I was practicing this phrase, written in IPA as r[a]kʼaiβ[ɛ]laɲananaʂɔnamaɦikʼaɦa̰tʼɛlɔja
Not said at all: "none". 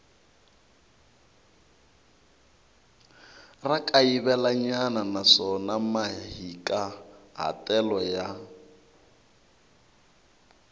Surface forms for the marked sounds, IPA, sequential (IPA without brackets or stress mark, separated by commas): a, ɛ